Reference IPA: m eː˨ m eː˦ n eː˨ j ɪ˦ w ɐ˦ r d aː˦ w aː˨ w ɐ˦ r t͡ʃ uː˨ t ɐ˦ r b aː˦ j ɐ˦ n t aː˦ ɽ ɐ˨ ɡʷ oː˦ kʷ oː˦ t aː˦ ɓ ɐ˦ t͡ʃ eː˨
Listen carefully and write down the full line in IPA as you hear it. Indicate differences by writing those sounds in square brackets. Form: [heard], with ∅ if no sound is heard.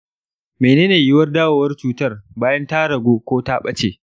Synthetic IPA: m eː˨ [n] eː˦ n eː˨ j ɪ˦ w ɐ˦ r d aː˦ w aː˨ w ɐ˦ r t͡ʃ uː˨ t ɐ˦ r b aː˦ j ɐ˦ n t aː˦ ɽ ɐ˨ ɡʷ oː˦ kʷ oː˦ t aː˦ ɓ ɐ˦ t͡ʃ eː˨